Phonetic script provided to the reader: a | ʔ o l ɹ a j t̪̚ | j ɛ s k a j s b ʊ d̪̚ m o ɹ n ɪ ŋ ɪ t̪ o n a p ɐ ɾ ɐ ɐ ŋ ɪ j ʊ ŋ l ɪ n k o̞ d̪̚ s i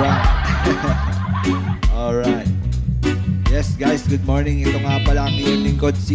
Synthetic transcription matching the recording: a | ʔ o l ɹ a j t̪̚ | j ɛ s ɡ a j s ɡ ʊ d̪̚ m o ɹ n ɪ ŋ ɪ t̪ o ŋ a p ɐ l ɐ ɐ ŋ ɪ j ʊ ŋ l ɪ ŋ k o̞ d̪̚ s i